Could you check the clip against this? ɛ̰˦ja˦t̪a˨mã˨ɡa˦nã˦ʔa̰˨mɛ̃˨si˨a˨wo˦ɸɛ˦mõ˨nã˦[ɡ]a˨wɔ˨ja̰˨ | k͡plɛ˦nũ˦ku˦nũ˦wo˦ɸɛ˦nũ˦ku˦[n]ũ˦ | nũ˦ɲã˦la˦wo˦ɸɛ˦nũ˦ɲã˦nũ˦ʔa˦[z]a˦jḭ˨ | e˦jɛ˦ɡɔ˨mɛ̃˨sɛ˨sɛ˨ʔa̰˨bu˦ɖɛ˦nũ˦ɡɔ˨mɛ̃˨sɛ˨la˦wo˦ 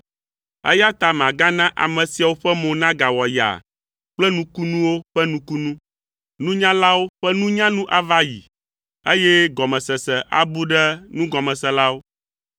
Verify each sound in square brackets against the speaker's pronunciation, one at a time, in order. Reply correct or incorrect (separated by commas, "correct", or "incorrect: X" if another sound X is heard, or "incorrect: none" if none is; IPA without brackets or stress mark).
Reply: correct, correct, incorrect: v